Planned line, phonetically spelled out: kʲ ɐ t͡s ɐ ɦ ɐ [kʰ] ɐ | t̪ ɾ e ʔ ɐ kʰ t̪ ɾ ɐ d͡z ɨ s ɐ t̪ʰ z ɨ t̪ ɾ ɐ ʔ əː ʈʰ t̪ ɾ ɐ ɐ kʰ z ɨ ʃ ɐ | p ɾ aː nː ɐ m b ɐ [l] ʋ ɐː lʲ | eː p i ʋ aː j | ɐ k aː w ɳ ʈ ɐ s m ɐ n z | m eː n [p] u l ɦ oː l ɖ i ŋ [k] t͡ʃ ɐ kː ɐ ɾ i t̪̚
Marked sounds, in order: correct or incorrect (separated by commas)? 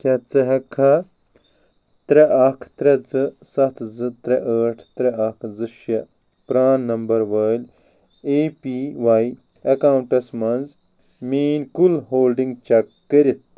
correct, incorrect, incorrect, incorrect